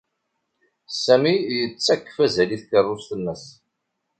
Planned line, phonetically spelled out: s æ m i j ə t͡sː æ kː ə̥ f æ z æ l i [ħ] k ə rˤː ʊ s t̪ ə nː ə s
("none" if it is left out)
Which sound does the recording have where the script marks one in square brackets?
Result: θ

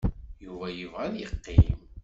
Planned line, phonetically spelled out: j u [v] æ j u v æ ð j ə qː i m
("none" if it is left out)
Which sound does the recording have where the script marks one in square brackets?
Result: v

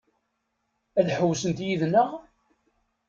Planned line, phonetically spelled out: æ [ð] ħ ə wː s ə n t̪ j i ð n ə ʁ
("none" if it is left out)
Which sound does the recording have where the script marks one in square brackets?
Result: ð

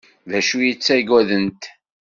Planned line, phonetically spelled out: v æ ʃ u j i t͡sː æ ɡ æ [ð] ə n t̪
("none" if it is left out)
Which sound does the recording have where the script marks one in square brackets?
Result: ð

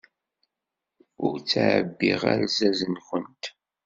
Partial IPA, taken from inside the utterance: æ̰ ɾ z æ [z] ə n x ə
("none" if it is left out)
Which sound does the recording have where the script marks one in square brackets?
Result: z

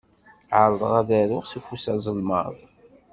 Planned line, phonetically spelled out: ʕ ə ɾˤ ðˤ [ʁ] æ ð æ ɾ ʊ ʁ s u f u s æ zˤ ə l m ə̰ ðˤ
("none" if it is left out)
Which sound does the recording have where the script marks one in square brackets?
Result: ʁ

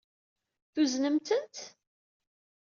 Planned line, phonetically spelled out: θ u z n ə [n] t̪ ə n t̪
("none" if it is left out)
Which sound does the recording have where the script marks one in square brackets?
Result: m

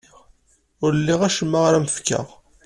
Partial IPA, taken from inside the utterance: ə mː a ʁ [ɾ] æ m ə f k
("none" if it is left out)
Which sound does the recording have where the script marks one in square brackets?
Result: ɾ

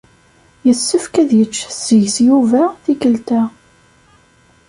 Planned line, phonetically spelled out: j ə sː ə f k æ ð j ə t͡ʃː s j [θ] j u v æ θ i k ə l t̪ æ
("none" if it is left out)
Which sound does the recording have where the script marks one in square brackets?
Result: s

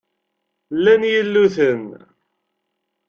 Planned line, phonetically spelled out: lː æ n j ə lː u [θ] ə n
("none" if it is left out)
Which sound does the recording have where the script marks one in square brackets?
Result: θ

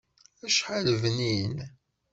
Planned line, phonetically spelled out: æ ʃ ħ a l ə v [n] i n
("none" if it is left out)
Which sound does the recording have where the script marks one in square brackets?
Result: n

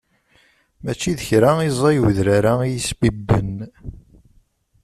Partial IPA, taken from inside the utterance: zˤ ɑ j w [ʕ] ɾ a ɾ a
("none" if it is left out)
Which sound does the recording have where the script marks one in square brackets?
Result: ð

